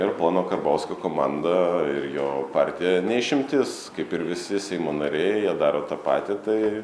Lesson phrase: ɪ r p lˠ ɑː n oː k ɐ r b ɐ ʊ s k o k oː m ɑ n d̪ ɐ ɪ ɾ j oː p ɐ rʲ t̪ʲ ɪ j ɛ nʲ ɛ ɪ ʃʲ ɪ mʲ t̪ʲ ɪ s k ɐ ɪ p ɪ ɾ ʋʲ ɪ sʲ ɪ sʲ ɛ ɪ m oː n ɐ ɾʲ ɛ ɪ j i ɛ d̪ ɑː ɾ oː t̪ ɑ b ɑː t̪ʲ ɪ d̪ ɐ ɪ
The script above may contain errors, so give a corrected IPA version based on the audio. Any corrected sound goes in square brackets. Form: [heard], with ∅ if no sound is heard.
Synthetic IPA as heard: ɪ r p lˠ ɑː n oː k ɐ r b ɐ ʊ s k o k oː m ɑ n d̪ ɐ ɪ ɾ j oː p [ɑ] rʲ t̪ʲ ɪ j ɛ nʲ ɛ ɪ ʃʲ ɪ mʲ t̪ʲ ɪ s k ɐ ɪ p ɪ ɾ ʋʲ ɪ sʲ ɪ sʲ ɛ ɪ m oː n ɐ ɾʲ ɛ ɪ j i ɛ d̪ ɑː ɾ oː t̪ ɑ [p] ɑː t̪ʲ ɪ [t̪] ɐ ɪ